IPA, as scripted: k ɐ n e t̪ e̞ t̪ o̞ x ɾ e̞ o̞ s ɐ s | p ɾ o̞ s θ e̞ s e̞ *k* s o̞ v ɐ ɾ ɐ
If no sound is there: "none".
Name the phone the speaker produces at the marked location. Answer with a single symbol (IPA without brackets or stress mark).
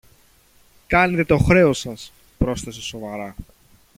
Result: none